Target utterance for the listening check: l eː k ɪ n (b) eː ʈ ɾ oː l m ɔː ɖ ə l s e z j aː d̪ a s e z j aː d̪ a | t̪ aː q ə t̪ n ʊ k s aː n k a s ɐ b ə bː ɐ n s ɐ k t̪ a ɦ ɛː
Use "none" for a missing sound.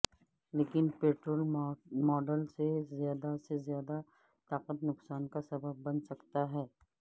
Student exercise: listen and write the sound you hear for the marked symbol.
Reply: p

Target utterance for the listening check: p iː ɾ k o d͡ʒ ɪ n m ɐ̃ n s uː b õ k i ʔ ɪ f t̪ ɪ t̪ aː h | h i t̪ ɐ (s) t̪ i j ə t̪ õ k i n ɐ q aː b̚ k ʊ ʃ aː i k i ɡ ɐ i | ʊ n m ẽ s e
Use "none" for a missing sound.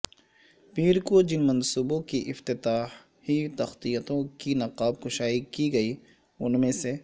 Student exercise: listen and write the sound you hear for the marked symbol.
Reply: x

